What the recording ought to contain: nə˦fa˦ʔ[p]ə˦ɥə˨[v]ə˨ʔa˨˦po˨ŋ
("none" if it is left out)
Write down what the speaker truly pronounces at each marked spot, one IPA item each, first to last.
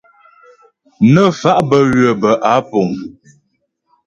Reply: b, b

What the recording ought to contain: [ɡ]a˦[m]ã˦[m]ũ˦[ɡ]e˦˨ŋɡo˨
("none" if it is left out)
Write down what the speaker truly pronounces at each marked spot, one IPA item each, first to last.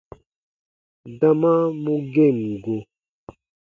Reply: d, m, m, ɡ

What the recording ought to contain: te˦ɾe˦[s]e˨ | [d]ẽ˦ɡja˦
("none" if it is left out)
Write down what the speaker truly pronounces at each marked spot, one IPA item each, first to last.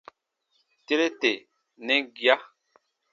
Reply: t, n

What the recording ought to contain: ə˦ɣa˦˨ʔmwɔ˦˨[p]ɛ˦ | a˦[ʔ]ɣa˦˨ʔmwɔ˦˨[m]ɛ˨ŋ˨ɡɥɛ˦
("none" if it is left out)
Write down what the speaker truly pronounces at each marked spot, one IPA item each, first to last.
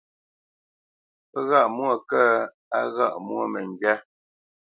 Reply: k, none, m

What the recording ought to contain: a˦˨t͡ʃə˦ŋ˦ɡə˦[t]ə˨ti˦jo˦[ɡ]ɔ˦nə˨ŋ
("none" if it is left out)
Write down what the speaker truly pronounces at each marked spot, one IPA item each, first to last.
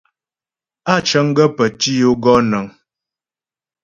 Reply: p, ɡ

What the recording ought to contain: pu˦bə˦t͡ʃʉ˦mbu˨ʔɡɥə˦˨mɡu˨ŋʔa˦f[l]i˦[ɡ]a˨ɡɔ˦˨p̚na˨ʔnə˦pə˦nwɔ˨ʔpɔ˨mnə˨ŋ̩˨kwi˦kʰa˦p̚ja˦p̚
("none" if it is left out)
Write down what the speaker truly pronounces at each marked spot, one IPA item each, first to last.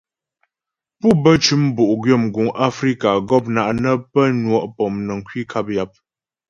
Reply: ɾ, k

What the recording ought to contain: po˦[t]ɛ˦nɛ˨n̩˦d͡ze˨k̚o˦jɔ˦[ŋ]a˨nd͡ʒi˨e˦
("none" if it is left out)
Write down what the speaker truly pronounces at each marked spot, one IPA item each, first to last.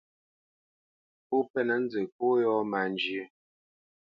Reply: p, m

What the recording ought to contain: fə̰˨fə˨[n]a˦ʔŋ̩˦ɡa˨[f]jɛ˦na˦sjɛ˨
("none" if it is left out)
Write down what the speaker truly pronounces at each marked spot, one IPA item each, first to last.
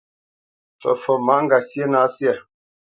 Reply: m, s

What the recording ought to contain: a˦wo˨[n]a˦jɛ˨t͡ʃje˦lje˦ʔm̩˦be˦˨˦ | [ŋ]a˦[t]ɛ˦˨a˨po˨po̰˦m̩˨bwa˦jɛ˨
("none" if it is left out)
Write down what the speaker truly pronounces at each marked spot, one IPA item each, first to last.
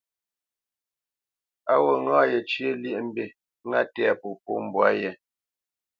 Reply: ŋ, ŋ, t

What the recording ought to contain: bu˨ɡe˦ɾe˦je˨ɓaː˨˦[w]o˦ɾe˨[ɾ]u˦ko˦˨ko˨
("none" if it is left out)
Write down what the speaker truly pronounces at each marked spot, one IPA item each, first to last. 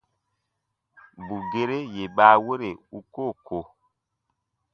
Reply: w, none

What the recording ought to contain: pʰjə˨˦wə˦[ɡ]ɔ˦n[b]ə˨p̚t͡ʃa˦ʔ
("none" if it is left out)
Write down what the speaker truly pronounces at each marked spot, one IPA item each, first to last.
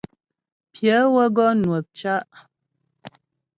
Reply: ɡ, w

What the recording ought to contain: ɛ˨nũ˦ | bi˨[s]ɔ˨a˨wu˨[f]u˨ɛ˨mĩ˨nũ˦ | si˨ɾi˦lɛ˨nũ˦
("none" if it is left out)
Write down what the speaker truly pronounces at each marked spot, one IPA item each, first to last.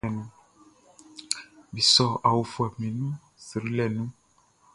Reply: s, f

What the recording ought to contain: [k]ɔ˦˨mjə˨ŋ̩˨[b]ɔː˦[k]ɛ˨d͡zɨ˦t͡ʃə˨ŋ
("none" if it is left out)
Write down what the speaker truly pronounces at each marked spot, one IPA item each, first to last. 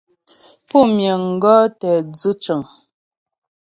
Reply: p, ɡ, t

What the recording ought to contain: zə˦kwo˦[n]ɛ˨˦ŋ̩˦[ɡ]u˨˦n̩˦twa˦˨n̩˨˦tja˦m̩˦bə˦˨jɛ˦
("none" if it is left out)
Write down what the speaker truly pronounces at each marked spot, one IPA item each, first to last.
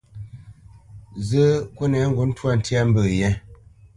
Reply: n, ɡ

